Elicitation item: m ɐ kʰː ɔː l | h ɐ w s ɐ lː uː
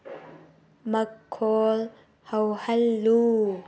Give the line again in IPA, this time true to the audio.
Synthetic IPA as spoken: m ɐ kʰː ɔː l | h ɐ w h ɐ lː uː